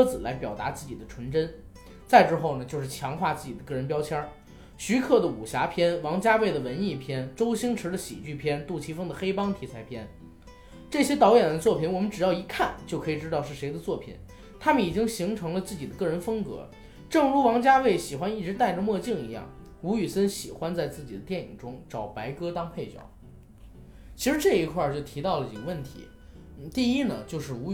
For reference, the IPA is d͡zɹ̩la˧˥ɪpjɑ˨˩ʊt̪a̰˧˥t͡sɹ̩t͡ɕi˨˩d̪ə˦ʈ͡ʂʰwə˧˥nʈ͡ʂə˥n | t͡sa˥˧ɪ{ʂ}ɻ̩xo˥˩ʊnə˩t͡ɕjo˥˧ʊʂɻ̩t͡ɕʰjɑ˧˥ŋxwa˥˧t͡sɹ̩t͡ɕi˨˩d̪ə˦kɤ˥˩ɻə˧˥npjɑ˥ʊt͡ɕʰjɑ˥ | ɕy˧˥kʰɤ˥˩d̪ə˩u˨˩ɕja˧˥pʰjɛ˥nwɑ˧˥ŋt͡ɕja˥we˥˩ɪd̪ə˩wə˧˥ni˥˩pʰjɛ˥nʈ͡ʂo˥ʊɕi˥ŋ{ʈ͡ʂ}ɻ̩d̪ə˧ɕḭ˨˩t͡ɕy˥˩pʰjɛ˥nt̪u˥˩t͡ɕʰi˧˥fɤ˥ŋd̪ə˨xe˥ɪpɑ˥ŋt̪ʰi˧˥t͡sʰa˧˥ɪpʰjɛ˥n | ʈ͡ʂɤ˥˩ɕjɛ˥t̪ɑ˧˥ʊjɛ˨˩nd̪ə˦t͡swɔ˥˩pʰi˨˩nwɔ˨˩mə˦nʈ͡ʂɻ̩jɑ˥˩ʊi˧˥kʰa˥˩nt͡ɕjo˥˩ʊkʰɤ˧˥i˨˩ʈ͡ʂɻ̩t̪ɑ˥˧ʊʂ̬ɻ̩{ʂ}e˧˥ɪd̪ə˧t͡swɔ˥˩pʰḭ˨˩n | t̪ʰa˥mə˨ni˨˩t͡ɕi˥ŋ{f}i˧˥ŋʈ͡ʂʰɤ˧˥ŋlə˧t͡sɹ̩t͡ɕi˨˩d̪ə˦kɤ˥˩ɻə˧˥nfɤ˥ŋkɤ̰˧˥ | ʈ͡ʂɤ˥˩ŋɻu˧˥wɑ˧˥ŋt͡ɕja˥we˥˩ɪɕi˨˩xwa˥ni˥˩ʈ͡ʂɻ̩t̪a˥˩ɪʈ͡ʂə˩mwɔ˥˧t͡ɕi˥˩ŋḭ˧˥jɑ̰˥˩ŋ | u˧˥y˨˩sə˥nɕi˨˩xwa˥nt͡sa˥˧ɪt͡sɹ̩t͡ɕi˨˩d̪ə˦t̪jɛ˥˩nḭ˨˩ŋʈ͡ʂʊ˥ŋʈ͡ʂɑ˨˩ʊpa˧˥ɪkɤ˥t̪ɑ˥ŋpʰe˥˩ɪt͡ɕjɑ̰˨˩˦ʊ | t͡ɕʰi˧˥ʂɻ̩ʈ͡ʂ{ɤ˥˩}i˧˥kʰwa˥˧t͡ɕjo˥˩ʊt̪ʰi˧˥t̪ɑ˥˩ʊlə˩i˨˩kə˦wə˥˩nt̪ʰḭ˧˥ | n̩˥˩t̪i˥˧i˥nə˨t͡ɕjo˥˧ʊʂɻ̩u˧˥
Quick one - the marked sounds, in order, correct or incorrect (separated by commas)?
incorrect, incorrect, correct, incorrect, correct